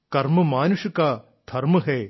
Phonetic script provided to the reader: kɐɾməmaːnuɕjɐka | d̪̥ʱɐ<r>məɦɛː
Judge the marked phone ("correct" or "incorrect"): incorrect